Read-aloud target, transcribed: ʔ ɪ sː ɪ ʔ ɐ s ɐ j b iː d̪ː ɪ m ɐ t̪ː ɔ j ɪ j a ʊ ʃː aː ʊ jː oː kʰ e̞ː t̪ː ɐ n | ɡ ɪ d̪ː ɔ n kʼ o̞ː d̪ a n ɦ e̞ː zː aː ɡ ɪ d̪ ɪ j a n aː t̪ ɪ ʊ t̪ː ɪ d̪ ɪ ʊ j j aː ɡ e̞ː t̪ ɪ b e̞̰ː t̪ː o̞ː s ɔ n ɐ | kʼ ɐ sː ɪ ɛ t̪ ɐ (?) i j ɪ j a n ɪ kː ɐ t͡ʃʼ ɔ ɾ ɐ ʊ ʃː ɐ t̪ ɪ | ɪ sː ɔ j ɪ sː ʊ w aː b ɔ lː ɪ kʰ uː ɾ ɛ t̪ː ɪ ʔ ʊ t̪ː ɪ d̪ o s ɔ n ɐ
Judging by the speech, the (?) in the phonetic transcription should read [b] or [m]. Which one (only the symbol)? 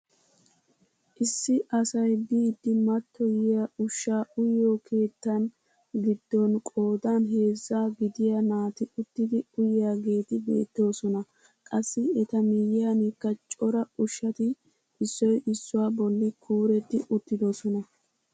m